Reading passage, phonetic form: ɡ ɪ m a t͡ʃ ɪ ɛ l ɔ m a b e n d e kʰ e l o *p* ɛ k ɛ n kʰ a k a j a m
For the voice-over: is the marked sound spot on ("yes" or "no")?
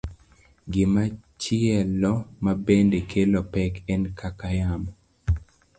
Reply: yes